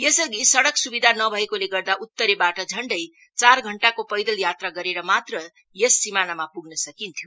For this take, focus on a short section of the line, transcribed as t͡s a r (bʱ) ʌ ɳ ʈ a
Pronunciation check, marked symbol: incorrect: ɡʱ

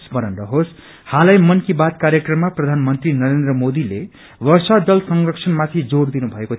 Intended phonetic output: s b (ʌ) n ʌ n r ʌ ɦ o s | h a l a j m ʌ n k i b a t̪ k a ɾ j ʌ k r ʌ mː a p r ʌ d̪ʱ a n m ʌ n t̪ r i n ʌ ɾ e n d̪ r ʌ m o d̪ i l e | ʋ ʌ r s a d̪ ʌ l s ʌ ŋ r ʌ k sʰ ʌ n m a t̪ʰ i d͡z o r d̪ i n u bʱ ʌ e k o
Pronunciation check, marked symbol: correct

